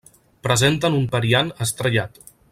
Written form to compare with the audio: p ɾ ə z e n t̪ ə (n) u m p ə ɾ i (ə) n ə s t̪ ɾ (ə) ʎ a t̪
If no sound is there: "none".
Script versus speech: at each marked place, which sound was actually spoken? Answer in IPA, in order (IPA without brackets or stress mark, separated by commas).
n, a, ə